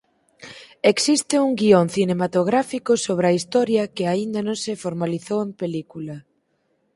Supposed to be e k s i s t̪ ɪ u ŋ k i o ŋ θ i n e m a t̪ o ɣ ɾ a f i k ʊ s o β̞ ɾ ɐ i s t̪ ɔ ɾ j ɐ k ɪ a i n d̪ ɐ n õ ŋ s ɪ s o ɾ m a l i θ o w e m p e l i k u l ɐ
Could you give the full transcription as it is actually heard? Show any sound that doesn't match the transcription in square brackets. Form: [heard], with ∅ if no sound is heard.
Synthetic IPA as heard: e k s i s t̪ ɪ u ŋ [ɡ] i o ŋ θ i n e m a t̪ o ɣ ɾ a f i k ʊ s o β̞ ɾ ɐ i s t̪ ɔ ɾ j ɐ k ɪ a i n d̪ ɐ n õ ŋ s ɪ [f] o ɾ m a l i θ o w e m p e l i k u l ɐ